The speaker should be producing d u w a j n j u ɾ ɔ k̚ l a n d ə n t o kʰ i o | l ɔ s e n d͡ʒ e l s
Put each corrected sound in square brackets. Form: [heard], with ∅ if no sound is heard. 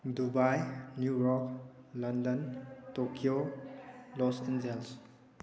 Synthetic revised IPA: d u [b] a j n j u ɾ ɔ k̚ l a n d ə n t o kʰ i o | l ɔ s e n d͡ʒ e l s